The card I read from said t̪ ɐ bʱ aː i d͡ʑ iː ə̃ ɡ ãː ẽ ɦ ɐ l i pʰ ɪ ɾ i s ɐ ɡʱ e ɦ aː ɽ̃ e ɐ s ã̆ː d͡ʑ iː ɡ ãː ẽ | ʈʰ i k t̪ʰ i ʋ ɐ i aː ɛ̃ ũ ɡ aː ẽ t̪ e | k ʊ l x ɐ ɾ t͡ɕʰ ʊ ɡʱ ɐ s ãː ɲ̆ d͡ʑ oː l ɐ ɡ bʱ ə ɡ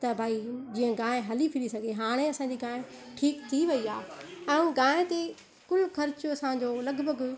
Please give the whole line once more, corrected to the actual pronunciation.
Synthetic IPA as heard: t̪ ɐ bʱ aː i d͡ʑ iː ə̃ ɡ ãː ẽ ɦ ɐ l i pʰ ɪ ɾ i s ɐ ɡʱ e ɦ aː ɽ̃ e ɐ s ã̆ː d͡ʑ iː ɡ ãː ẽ | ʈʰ iː k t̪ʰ i ʋ ɐ i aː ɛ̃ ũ ɡ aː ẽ t̪ e | k ʊ l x ɐ ɾ t͡ɕ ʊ ɐ s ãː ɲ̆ d͡ʑ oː l ɐ ɡ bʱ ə ɡ